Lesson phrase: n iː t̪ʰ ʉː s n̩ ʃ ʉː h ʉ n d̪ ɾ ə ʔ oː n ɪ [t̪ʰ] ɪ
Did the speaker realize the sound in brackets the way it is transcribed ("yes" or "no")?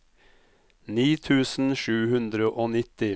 no